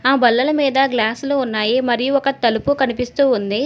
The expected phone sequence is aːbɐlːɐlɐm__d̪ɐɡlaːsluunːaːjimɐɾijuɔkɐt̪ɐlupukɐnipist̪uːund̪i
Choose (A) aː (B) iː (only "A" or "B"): B